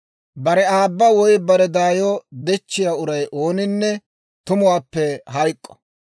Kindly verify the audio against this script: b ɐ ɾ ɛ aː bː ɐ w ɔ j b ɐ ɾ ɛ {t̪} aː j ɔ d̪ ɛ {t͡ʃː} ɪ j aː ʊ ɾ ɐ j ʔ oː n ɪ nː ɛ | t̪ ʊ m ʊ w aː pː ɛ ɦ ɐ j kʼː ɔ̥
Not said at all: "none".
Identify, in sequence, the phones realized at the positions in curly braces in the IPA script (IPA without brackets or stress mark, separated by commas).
d̪, t͡ʃː